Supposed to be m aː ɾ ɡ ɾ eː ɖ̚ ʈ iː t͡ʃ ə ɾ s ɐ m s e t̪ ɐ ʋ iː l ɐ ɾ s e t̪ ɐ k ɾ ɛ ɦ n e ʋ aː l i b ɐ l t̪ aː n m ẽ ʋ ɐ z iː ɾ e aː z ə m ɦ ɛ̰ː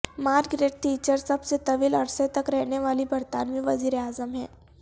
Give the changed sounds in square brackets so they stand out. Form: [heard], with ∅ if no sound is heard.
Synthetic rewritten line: m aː ɾ ɡ ɾ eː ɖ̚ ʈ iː t͡ʃ ə ɾ s ɐ [b] s e t̪ ɐ ʋ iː l ɐ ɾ s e t̪ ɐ k ɾ ɛ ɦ n e ʋ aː l i b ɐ [ɾ] t̪ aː n m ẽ ʋ ɐ z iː ɾ e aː z ə m ɦ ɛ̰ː